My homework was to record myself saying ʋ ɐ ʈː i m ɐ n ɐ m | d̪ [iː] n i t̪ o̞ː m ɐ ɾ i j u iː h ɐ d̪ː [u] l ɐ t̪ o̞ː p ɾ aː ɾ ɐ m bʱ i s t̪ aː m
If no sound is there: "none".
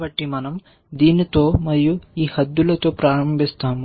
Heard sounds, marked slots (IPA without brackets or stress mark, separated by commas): iː, u